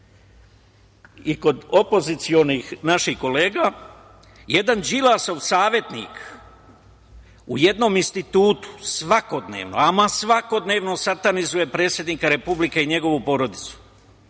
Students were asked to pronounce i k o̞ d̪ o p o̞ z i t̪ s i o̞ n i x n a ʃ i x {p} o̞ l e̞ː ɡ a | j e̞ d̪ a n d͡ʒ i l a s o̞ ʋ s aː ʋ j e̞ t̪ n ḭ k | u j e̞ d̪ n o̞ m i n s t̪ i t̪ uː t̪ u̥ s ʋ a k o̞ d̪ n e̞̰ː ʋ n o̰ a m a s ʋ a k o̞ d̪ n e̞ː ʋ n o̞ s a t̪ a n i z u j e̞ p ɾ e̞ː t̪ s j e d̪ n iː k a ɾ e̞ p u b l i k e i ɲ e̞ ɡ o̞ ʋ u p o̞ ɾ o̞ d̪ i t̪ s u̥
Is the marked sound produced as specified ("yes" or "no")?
no